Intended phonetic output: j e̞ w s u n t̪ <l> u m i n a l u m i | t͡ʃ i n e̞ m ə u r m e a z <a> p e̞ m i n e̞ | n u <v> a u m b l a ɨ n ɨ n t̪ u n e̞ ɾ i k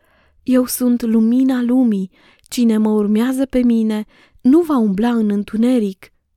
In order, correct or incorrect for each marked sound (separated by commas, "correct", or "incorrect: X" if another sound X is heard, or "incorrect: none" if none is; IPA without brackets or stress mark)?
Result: correct, incorrect: ə, correct